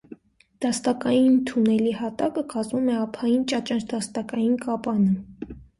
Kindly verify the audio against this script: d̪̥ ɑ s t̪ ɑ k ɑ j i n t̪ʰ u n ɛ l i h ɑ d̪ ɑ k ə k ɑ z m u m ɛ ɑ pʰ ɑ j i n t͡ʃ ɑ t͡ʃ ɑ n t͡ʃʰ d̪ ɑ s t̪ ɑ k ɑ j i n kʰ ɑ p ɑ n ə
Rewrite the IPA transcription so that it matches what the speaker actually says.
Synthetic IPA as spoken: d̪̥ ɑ s t̪ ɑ k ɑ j i n t̪ʰ u n ɛ l i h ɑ t̪ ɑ k ə k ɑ z m u m ɛ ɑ pʰ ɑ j i n t͡ʃ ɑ t͡ʃ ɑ n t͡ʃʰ d̪ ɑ s t̪ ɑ k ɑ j i n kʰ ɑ p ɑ n ə